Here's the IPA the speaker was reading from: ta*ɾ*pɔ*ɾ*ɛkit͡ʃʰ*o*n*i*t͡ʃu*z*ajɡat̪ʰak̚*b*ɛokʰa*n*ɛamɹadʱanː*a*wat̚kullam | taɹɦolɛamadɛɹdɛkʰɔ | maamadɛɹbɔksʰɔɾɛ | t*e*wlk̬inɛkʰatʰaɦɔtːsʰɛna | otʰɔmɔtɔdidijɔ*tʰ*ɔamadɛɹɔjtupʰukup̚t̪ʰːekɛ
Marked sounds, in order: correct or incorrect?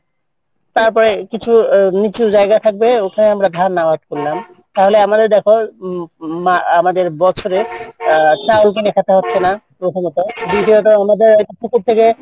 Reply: incorrect, incorrect, incorrect, correct, correct, correct, correct, correct, incorrect, incorrect

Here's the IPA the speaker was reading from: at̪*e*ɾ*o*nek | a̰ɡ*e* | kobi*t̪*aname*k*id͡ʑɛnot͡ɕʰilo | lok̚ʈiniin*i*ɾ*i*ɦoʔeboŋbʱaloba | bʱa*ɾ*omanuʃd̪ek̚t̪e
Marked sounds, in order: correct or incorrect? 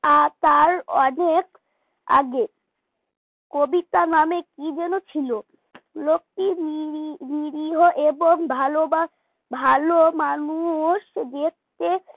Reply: incorrect, incorrect, correct, correct, correct, correct, correct, incorrect

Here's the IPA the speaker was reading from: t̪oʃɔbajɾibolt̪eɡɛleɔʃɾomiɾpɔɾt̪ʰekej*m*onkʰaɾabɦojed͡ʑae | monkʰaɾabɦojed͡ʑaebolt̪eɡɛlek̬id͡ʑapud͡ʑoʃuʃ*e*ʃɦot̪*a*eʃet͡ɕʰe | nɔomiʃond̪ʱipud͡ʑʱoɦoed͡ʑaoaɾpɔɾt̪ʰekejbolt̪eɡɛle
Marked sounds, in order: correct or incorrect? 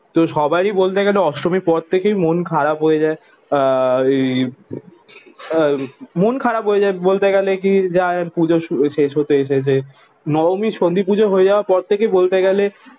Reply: correct, correct, incorrect

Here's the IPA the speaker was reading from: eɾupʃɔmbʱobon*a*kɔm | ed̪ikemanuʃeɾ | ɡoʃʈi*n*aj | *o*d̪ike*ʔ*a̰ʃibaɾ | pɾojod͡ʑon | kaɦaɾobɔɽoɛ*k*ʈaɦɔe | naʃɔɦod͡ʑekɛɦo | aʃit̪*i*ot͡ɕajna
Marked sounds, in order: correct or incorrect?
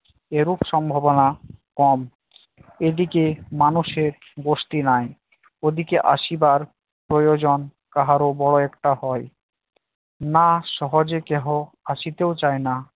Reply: correct, correct, correct, correct, correct, incorrect

